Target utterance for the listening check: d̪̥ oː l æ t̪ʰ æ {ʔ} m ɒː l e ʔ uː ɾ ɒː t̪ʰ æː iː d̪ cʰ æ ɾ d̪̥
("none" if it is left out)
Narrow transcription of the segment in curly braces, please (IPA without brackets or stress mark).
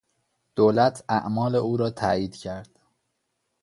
ʔ